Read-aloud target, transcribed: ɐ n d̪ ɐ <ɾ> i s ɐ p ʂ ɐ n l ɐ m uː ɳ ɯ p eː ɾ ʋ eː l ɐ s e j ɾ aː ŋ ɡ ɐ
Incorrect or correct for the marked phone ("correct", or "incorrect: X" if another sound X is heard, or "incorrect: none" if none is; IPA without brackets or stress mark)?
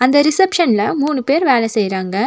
correct